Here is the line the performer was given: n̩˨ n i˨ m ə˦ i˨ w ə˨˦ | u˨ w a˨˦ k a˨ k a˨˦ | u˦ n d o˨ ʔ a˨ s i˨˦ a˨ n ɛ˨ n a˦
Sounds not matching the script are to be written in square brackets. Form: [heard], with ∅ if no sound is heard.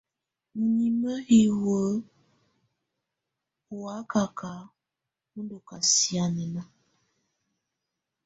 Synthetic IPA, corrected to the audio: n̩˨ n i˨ m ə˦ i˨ w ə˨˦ | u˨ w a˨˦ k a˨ k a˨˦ | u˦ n d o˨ [k] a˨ s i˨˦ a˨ n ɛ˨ n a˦